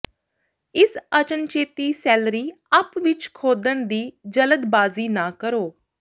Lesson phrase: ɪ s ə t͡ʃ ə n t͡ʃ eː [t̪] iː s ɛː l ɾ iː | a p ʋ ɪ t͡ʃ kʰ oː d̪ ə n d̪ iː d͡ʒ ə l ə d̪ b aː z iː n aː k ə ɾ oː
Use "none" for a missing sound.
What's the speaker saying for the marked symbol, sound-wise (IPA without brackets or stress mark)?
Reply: t̪